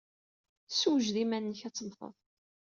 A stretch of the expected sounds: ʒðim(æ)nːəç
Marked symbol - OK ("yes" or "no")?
yes